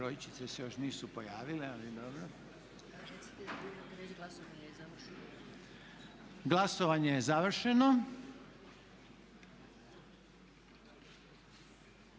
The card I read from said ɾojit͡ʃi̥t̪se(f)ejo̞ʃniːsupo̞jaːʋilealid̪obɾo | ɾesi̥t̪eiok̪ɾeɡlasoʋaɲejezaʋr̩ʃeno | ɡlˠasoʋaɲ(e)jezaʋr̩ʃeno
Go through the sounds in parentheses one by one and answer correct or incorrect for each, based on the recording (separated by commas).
incorrect, correct